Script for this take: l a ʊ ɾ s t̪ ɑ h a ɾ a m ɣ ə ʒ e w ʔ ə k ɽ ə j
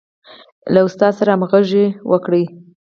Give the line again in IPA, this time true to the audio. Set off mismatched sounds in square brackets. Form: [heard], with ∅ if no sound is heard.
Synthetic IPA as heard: l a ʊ [∅] s t̪ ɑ [s] a ɾ a m ɣ ə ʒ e w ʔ ə k ɽ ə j